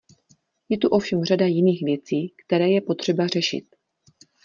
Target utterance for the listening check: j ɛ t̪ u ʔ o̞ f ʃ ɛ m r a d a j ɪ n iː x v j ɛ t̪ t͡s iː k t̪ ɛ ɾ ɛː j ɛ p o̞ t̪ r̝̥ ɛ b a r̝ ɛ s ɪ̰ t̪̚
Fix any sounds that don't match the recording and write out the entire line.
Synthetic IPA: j ɛ t̪ u ʔ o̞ f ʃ ɛ m r a d a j ɪ n iː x v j ɛ t͡s iː k t̪ ɛ ɾ ɛː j ɛ p o̞ t̪ r̝̥ ɛ b a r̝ ɛ ʃ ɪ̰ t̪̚